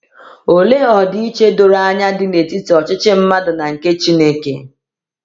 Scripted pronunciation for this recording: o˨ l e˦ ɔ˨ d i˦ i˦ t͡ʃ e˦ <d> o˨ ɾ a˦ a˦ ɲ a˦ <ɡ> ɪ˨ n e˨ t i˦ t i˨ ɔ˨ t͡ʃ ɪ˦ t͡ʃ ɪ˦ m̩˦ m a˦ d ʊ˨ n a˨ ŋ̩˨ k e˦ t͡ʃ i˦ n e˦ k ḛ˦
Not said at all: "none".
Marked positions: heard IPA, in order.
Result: d, d

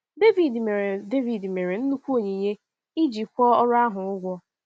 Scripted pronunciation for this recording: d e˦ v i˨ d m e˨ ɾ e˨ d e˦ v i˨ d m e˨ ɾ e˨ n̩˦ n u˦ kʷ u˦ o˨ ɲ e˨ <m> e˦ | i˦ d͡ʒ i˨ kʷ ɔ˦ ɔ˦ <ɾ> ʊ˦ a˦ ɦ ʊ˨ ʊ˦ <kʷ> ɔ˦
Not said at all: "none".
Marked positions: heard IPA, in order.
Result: ɲ, ɾ, ɡʷ

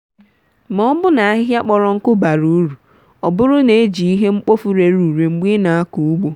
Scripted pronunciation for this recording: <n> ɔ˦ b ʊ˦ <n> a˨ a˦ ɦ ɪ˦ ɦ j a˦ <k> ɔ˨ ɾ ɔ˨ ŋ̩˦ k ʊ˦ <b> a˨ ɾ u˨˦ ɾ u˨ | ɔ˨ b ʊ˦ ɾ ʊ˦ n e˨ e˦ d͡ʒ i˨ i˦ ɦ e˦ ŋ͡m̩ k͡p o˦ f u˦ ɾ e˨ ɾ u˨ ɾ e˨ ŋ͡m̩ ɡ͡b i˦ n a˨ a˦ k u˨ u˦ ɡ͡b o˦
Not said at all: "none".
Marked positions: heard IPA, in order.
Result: m, n, k͡p, b

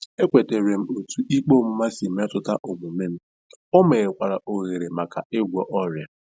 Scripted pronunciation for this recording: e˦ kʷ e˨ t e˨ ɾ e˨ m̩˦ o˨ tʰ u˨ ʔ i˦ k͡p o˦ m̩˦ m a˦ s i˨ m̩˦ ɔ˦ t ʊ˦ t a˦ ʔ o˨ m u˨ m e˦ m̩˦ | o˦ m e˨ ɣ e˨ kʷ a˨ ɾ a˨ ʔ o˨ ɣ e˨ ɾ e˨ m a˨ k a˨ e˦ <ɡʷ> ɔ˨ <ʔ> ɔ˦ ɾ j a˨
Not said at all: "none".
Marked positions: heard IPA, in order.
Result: ɡʷ, ʔ

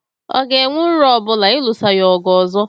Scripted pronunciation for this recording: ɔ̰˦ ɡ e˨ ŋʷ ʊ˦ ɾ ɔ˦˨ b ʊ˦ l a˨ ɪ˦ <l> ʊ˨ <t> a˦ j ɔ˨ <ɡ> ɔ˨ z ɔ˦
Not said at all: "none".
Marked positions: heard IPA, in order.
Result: l, s, ɡ

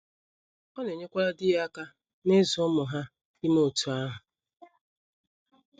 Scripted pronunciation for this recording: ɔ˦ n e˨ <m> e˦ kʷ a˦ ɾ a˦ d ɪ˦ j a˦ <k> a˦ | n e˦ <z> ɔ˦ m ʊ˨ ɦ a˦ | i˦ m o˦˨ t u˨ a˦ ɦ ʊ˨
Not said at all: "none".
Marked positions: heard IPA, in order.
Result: ɲ, k, z

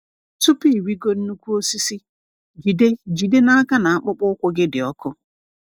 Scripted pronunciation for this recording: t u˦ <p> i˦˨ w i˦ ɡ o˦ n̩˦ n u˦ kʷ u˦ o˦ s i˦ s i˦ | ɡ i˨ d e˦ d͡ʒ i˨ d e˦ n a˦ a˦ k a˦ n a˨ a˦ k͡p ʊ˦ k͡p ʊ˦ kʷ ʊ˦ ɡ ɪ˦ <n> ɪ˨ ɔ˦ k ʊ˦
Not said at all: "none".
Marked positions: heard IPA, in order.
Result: p, d

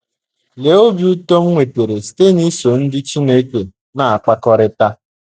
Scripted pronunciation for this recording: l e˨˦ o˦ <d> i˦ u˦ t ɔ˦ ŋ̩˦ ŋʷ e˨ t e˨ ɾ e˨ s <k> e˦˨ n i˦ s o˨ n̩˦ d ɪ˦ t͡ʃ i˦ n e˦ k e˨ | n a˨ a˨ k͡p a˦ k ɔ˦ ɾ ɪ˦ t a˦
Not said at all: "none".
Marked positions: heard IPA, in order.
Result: b, t

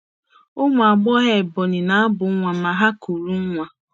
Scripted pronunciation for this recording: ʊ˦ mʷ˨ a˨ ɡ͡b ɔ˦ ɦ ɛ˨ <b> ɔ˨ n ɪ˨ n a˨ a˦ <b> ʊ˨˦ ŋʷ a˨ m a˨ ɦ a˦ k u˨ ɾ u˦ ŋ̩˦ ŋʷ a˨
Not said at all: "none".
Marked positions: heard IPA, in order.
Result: b, b

